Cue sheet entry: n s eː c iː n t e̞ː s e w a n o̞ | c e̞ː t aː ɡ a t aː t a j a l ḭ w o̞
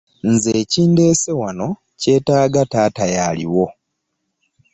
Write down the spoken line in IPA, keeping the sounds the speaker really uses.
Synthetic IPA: n z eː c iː n d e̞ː s e w a n o̞ | c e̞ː t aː ɡ a t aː t a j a l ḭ w o̞